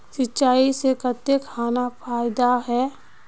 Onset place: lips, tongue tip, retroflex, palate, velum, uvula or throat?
tongue tip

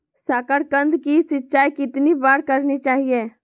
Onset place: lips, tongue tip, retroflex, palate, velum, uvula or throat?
tongue tip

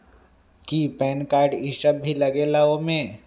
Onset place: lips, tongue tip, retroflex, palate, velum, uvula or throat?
velum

